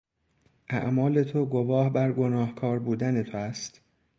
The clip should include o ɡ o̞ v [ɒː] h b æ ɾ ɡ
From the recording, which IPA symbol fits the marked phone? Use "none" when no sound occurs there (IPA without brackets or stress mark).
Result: ɒː